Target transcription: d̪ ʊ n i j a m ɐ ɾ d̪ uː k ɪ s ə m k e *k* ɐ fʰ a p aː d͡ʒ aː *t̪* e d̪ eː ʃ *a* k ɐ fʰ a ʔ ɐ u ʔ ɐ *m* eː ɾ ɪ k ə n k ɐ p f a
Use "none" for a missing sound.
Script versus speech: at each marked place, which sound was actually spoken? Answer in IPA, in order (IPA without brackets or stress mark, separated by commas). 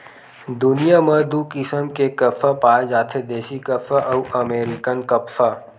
k, t̪ʰ, i, m